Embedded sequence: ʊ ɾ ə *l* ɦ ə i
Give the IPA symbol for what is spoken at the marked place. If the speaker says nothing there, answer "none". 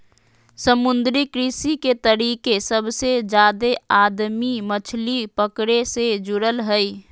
l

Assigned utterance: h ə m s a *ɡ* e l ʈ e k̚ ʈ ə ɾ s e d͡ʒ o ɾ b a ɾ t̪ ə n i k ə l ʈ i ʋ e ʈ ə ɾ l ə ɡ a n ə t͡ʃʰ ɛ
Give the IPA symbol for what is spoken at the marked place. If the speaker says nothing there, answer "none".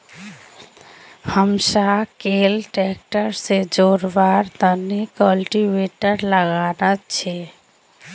k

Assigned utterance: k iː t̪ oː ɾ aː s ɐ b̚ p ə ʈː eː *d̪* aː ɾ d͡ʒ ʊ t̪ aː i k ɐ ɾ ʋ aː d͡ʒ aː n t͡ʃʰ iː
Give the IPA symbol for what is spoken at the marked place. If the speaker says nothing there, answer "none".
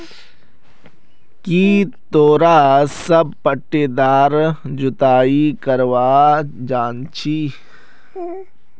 d̪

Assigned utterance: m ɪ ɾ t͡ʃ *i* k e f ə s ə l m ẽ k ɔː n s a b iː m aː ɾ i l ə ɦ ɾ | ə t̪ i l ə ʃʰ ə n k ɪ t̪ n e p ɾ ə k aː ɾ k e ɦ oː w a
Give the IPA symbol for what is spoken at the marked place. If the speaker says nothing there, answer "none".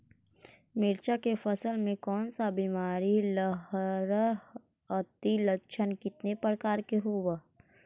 a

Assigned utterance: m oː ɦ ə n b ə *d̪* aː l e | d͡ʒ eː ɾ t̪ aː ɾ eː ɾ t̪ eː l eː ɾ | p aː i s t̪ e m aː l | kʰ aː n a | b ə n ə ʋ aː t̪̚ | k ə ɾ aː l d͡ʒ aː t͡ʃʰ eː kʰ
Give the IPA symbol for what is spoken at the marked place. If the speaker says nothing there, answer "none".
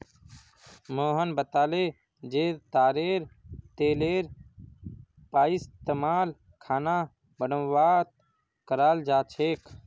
t̪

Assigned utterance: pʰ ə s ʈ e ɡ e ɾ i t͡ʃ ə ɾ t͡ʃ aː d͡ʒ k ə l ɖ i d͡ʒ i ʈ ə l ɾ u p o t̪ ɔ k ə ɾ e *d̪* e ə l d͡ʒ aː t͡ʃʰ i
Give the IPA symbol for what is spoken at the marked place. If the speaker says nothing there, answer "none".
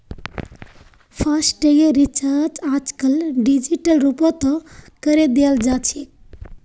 d̪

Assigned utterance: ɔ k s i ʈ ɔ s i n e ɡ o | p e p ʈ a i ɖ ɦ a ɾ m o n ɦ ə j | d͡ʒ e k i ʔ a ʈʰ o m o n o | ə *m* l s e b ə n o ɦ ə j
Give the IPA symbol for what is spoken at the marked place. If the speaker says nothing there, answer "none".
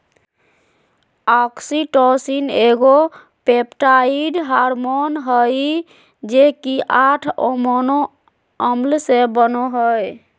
m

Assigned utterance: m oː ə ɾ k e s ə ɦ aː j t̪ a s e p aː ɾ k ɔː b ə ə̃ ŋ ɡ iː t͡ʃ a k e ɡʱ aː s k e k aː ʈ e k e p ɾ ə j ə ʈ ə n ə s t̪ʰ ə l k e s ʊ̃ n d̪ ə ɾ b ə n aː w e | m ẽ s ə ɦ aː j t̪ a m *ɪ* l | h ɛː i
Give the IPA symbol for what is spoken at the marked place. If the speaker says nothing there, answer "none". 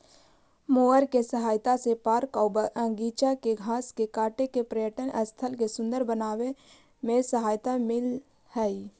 ɪ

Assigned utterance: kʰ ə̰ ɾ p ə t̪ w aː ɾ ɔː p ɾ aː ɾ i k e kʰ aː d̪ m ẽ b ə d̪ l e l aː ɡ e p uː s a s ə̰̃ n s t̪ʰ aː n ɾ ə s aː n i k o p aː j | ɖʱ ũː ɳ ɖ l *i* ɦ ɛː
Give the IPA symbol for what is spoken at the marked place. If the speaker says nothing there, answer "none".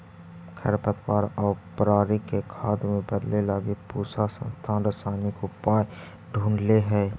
e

